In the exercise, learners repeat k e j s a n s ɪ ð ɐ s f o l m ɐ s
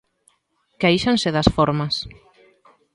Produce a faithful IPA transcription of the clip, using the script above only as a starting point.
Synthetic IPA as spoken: k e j ʃ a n s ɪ ð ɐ s f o ɾ m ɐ s